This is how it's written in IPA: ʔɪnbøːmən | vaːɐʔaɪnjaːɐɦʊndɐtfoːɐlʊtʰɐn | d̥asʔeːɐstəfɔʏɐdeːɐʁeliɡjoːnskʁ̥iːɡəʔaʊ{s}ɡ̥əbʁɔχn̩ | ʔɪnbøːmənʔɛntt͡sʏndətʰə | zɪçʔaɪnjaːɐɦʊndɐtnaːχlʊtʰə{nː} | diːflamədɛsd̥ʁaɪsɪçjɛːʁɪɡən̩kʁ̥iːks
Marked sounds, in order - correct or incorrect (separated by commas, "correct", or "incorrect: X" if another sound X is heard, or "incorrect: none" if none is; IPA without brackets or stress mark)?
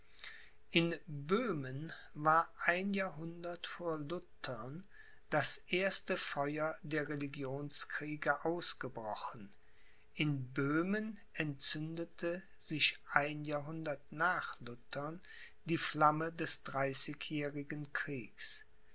correct, incorrect: n